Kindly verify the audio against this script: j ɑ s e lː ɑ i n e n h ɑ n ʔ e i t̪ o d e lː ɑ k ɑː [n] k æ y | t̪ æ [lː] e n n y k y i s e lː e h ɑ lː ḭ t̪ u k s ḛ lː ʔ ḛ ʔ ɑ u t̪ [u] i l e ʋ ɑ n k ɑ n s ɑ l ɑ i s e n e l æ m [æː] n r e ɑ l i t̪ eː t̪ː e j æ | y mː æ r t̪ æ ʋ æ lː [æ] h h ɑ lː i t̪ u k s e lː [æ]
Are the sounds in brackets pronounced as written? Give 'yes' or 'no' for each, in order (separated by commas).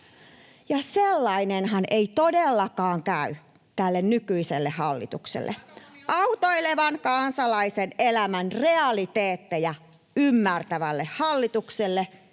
no, yes, no, no, no, no